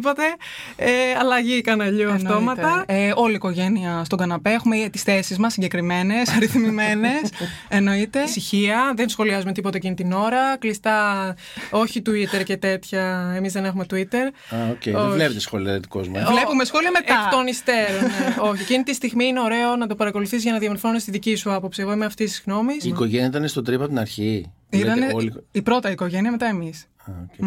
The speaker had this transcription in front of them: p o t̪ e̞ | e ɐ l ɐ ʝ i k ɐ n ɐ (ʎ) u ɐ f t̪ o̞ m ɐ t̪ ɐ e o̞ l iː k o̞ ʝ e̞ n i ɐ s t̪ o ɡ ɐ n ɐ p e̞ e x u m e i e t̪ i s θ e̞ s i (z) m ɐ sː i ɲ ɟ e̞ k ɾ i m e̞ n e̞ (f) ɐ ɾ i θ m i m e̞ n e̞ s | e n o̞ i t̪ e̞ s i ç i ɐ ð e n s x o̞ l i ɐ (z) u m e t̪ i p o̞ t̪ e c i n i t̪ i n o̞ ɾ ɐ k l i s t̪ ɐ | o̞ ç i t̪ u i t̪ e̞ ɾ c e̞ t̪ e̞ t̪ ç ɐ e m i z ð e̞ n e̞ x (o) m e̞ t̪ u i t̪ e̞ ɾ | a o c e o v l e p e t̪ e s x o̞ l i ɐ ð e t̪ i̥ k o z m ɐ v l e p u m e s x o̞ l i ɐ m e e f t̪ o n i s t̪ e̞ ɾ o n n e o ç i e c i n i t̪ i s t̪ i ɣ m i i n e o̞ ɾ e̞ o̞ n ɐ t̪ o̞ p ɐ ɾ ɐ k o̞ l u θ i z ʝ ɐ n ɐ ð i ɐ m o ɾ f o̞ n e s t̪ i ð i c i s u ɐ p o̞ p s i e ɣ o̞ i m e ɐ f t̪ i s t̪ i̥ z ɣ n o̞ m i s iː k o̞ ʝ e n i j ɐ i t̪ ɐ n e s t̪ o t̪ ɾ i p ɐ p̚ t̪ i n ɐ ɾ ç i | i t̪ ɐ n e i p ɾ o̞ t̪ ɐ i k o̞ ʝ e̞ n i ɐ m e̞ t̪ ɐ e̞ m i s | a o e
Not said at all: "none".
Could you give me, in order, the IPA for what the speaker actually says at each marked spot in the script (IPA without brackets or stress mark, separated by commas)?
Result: ʎ, z, s, z, u